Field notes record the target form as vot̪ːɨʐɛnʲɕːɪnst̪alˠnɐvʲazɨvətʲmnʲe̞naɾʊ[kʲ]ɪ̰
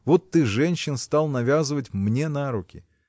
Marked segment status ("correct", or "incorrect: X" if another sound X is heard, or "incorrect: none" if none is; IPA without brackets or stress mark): correct